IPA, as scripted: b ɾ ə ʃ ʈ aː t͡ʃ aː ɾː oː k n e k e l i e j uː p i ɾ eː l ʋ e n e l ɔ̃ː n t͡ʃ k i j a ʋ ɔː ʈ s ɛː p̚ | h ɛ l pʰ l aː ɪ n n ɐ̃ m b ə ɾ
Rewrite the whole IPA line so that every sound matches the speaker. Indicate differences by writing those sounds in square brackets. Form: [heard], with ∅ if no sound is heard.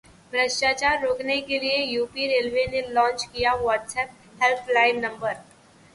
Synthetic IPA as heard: b ɾ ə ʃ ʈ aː t͡ʃ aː ɾː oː k n e k e l i e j uː p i ɾ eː l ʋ e n e l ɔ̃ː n t͡ʃ k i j a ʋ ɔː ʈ s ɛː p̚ | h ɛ l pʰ l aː ɪ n n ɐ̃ m b ə ɾ

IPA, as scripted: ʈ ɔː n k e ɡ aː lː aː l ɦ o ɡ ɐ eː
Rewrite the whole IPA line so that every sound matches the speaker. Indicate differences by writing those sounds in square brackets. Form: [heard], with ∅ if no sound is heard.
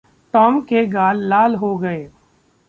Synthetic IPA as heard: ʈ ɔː [m] k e ɡ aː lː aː l ɦ o ɡ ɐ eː

